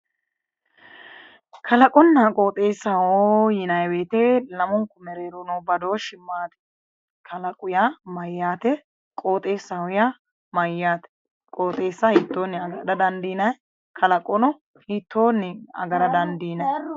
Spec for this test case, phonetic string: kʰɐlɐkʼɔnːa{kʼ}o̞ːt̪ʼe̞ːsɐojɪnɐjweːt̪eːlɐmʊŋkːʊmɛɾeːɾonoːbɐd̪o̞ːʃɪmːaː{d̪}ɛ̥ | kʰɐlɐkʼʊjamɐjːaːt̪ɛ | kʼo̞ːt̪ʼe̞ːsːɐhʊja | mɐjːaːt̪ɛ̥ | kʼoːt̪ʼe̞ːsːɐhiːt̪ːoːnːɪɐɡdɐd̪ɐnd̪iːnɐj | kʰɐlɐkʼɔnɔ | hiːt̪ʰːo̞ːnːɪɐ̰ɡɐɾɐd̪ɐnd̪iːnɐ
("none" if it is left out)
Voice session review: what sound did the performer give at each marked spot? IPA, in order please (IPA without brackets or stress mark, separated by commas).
kʼ, t̪